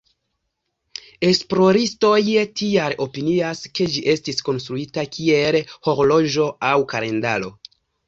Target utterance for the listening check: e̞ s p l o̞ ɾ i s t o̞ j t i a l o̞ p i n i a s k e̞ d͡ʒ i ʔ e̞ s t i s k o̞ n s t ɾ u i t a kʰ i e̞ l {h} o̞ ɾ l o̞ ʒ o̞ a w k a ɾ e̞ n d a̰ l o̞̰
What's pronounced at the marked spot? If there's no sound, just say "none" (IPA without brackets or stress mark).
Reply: h